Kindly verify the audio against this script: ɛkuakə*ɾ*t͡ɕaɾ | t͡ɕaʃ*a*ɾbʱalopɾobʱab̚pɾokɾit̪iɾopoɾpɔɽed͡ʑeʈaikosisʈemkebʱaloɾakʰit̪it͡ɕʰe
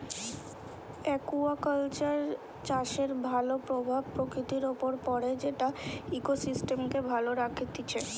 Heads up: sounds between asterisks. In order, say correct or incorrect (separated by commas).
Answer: incorrect, incorrect